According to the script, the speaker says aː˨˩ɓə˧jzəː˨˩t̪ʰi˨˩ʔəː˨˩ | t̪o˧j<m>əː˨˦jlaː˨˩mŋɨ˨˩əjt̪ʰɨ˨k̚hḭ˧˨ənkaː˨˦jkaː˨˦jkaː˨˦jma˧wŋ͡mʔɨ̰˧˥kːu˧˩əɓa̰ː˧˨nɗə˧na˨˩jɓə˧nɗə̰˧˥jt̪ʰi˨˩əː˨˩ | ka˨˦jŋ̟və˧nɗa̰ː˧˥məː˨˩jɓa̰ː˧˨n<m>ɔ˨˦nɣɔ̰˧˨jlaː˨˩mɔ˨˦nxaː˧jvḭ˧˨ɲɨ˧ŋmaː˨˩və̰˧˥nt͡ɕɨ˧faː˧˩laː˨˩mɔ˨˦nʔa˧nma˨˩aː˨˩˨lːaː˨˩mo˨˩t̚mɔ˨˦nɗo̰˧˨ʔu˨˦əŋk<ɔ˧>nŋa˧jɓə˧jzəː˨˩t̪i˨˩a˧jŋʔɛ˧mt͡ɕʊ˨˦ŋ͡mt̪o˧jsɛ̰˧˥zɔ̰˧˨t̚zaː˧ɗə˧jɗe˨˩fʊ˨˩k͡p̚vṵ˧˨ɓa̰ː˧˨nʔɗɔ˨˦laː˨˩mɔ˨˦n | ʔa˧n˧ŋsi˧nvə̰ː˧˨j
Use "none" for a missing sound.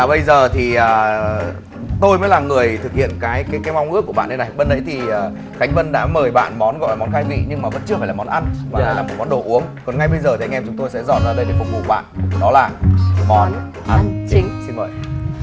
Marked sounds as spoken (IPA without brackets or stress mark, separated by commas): m, m, ɔ˨˩